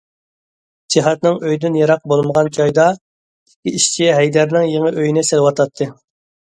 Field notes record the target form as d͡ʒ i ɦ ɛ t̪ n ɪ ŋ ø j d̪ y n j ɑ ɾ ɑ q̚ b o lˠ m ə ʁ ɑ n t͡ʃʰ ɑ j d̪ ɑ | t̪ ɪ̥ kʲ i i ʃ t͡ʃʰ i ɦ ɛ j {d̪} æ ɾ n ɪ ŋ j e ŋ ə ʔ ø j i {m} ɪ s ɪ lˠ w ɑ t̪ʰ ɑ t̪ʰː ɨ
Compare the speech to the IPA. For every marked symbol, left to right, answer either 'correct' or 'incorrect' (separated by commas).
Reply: correct, incorrect